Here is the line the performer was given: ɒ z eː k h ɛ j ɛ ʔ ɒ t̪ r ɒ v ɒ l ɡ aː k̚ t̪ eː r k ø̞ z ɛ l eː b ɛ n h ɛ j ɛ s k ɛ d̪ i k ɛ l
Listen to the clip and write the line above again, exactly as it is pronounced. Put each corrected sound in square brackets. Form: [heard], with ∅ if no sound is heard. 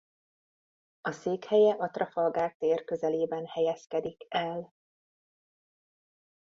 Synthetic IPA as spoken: ɒ [s] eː k h ɛ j ɛ ʔ ɒ t̪ r ɒ [f] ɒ l ɡ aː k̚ t̪ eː r k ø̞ z ɛ l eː b ɛ n h ɛ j ɛ s k ɛ d̪ i k ɛ l